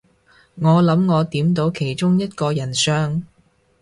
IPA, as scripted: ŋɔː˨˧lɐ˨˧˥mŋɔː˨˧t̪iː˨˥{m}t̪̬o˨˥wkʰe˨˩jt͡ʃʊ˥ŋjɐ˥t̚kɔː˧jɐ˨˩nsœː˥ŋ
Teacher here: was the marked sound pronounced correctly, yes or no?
yes